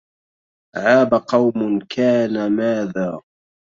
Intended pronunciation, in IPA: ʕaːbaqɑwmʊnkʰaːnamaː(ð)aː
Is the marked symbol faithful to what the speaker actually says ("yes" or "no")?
yes